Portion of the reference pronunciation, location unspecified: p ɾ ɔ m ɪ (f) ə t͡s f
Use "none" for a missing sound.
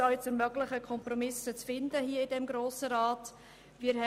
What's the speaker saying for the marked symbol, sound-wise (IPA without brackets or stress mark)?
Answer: s